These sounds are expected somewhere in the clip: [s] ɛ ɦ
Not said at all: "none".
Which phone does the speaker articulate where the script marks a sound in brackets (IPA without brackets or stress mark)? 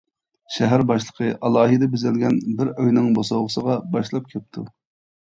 ʃ